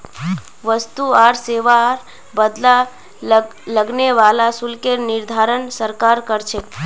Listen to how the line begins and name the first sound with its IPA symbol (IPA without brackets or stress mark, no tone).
ʋ